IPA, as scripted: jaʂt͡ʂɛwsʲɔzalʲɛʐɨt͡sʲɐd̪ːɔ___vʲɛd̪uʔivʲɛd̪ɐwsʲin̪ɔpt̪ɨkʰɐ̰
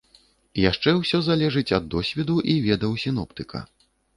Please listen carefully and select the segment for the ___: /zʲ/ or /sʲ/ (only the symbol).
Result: sʲ